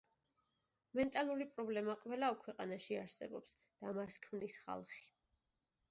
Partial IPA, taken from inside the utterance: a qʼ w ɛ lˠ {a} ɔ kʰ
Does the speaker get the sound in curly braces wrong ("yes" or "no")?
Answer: no